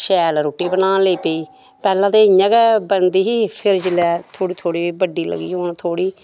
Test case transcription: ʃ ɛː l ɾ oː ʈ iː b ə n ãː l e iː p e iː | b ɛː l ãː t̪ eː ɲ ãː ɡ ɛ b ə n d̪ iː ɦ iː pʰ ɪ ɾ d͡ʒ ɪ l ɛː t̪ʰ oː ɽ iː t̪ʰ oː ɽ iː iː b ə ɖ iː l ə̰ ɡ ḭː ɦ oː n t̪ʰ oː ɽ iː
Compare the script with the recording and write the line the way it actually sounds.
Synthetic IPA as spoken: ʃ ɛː l ɾ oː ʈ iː b ə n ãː l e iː p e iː | p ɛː l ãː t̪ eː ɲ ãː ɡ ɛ b ə n d̪ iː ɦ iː pʰ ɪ ɾ d͡ʒ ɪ l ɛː t̪ʰ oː ɽ iː t̪ʰ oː ɽ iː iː b ə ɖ iː l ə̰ ɡ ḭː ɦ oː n t̪ʰ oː ɽ iː